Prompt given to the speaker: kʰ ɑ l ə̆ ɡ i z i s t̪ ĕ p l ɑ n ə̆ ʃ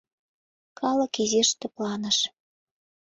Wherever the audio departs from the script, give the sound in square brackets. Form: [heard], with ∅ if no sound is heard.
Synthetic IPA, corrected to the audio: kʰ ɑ l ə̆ [k] i z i [ʃ] t̪ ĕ p l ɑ n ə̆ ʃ